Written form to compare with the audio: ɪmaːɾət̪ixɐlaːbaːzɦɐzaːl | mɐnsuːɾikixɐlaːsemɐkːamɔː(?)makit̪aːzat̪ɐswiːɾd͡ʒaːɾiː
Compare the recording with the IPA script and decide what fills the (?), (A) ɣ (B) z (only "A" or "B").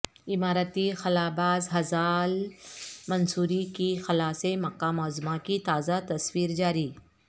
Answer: B